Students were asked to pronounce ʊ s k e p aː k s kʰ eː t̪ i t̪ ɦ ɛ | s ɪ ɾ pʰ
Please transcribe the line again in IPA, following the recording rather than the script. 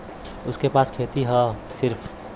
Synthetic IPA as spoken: ʊ s k e p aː s kʰ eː t̪ i ɦ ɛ | s ɪ ɾ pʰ